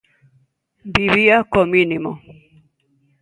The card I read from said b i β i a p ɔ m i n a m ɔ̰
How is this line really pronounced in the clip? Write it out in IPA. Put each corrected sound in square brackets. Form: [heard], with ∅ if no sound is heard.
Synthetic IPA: b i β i a [k] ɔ m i n [i] m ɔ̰

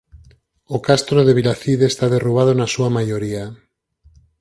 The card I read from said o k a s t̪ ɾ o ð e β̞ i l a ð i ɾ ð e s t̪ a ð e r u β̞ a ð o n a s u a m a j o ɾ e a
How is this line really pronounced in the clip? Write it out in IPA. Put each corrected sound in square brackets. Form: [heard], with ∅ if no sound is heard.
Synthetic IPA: o k a s t̪ ɾ o ð e β̞ i l a [θ] i [∅] ð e s t̪ a ð e r u β̞ a ð o n a s u a m a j o ɾ [i] a

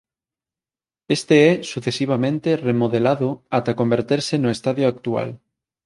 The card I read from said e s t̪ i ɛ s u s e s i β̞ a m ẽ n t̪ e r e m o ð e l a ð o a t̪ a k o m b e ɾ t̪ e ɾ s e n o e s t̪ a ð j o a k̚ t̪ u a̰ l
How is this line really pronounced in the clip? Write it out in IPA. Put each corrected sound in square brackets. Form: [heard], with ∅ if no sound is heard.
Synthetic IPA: e s t̪ [e] ɛ s u [θ] e s i β̞ a m ẽ n t̪ e r e m o ð e l a ð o a t̪ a k o m b e ɾ t̪ e ɾ s e n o e s t̪ a ð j o a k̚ t̪ u a̰ l

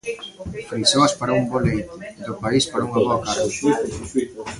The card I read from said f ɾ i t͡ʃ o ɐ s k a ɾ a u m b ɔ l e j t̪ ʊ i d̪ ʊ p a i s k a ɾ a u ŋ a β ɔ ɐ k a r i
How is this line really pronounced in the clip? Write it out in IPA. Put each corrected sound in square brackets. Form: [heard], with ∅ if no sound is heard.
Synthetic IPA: f ɾ i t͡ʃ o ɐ s [p] a ɾ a u m b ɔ l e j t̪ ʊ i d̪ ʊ p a i s [p] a ɾ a u ŋ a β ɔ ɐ k a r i

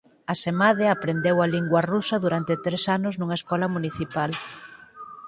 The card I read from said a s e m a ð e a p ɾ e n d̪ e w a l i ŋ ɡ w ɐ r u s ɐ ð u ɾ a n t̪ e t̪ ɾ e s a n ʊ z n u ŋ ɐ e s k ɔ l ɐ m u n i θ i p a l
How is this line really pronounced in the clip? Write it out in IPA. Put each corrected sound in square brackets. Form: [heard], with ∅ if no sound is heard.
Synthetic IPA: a s e m a ð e a p ɾ e n d̪ e w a l i ŋ ɡ w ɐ r u s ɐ ð u ɾ a n t̪ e t̪ ɾ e s a n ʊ z n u ŋ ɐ e s k ɔ l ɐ m u n i θ i p a l

